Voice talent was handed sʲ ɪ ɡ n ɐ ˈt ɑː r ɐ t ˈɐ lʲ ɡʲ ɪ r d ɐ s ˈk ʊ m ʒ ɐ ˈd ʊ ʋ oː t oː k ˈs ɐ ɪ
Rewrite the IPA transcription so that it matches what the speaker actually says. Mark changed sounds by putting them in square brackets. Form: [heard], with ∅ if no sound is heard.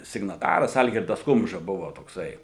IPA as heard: sʲ ɪ ɡ n ɐ ˈt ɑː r ɐ [s] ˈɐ lʲ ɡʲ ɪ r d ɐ s ˈk ʊ m ʒ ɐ [ˈb] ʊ ʋ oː t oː k ˈs ɐ ɪ